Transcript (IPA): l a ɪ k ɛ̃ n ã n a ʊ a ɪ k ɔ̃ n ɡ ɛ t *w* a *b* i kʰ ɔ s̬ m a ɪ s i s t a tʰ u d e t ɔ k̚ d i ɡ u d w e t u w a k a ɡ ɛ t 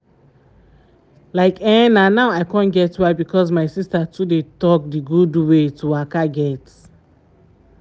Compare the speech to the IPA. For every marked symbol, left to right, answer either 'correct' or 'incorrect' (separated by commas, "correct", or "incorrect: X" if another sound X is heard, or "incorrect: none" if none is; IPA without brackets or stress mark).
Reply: correct, correct